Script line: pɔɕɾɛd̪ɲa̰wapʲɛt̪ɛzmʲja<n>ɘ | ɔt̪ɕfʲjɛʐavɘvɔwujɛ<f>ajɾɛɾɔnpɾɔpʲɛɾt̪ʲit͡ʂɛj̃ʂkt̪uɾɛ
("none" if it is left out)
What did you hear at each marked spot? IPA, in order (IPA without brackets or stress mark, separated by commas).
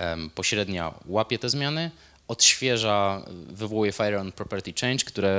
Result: n, f